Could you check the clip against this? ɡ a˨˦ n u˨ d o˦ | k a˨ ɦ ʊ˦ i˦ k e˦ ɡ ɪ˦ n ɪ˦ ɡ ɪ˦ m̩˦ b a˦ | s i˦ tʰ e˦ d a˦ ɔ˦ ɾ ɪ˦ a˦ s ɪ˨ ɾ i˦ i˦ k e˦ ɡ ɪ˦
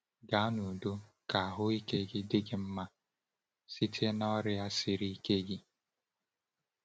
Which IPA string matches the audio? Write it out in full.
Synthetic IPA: ɡ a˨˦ n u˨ d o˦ | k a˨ ɦ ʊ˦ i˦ k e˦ ɡ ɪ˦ d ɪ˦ ɡ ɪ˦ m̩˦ m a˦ | s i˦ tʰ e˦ n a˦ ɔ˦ ɾ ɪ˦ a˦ s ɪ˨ ɾ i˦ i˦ k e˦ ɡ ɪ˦